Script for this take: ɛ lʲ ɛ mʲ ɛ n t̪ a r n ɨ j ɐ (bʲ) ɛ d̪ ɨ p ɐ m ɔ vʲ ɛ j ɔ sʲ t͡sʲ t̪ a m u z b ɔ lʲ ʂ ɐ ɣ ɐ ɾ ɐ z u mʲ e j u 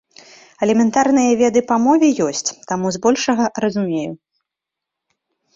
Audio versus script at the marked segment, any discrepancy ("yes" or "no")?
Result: yes